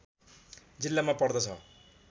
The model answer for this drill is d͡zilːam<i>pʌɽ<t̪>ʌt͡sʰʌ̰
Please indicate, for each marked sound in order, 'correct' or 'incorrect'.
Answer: incorrect, incorrect

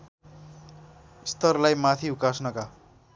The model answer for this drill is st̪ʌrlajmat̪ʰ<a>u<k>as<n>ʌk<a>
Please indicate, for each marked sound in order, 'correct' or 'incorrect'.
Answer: incorrect, correct, correct, correct

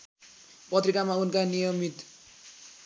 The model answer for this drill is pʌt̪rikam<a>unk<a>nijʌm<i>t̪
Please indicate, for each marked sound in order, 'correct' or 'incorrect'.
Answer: correct, correct, correct

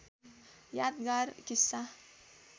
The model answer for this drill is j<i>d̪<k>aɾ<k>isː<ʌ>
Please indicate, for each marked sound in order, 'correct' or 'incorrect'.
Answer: incorrect, incorrect, correct, incorrect

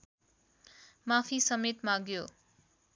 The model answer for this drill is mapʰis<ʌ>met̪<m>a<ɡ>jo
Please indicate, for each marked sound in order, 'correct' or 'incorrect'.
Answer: correct, correct, correct

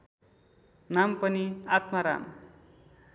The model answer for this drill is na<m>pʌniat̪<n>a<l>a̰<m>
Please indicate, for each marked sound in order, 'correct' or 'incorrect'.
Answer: correct, incorrect, incorrect, correct

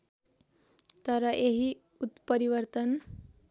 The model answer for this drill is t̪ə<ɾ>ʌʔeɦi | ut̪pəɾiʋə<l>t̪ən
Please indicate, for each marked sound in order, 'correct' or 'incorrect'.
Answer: correct, incorrect

